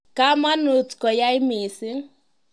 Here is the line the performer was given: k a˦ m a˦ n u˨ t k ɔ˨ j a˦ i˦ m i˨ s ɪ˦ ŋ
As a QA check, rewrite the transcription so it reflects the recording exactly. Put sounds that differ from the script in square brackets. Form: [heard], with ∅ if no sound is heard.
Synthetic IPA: k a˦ m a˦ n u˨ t k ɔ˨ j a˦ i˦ m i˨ s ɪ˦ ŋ